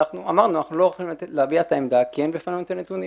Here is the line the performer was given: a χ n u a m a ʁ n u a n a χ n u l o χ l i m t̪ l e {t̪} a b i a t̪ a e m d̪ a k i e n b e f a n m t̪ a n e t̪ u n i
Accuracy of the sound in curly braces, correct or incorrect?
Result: incorrect